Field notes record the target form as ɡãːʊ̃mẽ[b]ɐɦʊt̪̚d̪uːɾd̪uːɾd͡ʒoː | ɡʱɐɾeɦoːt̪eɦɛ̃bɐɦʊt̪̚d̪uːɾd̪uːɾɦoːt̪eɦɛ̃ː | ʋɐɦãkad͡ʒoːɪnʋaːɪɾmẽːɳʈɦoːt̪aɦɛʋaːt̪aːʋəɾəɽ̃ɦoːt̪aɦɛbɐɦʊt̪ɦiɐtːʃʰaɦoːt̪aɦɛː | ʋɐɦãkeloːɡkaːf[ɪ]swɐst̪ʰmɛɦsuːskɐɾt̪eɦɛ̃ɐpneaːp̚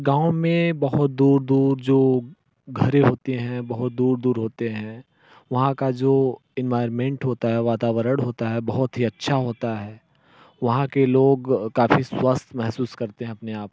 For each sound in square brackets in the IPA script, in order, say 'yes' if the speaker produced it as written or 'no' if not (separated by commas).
yes, no